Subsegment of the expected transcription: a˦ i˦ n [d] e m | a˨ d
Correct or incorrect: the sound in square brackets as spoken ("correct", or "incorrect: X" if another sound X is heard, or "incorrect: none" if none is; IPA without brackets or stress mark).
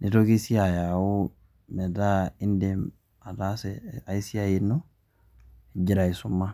correct